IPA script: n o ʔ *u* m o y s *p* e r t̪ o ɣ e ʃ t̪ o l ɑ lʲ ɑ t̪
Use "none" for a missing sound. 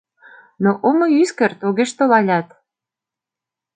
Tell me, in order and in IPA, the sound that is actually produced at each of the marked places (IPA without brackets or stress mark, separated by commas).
o, k